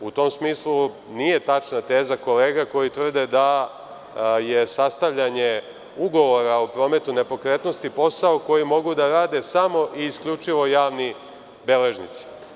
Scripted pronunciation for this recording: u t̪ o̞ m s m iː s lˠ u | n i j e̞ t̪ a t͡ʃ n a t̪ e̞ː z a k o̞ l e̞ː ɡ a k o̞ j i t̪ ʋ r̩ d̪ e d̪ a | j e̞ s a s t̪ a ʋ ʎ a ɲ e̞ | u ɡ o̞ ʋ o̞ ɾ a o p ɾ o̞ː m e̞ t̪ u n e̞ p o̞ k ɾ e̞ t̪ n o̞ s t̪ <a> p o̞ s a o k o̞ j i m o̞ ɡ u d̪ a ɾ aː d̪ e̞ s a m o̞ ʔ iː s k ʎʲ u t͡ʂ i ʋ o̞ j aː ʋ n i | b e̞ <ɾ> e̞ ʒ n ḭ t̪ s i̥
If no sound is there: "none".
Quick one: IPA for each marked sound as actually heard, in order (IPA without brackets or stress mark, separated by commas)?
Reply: i, l